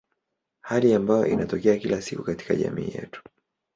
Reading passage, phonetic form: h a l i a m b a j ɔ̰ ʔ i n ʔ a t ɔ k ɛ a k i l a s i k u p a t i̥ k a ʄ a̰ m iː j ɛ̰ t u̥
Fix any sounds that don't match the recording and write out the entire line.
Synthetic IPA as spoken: h a l i a m b a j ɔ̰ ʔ i n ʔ a t ɔ k ɛ a k i l a s i k u k a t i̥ k a ʄ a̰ m iː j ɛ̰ t u̥